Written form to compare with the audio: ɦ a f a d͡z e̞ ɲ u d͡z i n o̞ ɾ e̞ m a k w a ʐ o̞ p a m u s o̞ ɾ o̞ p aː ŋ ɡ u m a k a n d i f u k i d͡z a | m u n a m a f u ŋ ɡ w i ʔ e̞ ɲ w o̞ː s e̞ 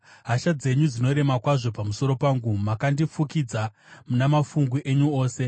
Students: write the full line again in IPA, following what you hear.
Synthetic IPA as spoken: ɦ a ʃ a d͡z e̞ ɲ u d͡z i n o̞ ɾ e̞ m a k w a ʐ o̞ p a m u s o̞ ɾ o̞ p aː ŋ ɡ u m a k a n d i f u k i d͡z a | m u n a m a f u ŋ ɡ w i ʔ e̞ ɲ u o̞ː s e̞

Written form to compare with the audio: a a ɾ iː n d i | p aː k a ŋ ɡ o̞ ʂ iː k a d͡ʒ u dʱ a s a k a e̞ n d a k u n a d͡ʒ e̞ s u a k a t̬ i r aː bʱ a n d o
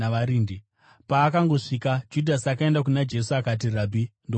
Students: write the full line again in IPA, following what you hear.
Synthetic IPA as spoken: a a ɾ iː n d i | p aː k a ŋ ɡ o̞ ʂ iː k a d͡ʒ u dʱ a s a k a e̞ n d a k u n a d͡ʒ e̞ s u a k a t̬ i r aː bʱ i n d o

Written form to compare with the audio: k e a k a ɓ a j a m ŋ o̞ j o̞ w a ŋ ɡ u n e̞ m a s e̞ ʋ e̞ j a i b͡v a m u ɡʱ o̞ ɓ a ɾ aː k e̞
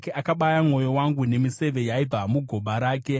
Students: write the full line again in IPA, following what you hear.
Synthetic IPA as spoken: k e a k a ɓ a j a m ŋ o̞ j o̞ w a ŋ ɡ u n e̞ m i s e̞ ʋ e̞ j a i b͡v a m u ɡʱ o̞ ɓ a ɾ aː k e̞

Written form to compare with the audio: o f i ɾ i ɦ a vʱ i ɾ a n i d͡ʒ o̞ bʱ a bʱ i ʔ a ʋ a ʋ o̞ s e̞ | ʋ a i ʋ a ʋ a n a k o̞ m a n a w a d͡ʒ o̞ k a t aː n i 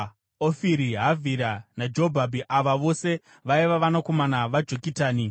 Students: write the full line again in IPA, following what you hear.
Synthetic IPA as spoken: o f i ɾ i ɦ a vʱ i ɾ a n a d͡ʒ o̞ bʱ a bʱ i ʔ a ʋ a ʋ o̞ s e̞ | ʋ a i ʋ a ʋ a n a k o̞ m a n a ʋ a d͡ʒ o̞ k i t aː n i

